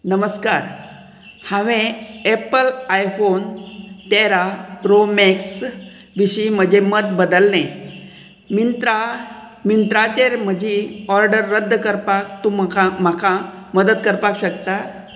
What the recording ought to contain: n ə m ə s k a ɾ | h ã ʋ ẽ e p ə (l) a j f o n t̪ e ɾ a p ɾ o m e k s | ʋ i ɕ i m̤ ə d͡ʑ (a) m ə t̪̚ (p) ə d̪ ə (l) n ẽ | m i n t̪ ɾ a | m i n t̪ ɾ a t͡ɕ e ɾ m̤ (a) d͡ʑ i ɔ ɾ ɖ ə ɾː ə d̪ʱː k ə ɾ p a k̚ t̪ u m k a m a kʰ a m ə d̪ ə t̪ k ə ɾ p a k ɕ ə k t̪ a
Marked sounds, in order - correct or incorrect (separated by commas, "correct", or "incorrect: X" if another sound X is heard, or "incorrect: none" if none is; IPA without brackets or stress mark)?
correct, incorrect: e, incorrect: b, correct, incorrect: ə